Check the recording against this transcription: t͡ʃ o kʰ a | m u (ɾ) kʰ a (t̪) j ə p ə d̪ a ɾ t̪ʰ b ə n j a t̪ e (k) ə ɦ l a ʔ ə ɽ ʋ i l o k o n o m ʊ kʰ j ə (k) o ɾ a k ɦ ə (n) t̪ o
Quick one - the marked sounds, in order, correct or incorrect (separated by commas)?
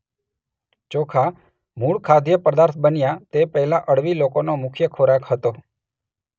incorrect, incorrect, incorrect, incorrect, incorrect